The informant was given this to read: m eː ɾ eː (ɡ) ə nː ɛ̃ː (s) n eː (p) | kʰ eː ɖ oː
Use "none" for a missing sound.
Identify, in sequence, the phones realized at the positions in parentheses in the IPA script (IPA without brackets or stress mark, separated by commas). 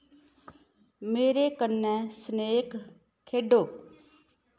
k, s, k